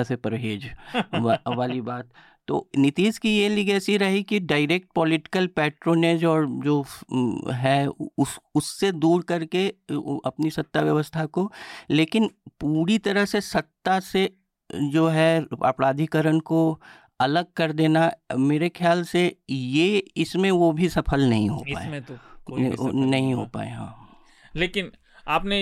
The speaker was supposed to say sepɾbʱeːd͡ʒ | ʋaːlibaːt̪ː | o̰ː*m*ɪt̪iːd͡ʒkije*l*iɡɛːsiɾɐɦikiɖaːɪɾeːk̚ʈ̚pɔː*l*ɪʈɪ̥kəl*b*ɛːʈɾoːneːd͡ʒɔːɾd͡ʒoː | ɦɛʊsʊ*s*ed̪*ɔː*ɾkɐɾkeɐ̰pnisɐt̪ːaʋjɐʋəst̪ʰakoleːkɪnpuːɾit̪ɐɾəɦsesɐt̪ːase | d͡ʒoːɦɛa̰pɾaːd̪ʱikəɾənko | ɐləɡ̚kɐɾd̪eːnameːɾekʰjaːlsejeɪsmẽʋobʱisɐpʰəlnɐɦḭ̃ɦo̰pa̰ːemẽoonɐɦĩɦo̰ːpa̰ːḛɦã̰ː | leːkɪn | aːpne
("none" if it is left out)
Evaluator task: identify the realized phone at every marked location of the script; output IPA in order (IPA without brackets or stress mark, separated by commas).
n, l, l, p, sː, uː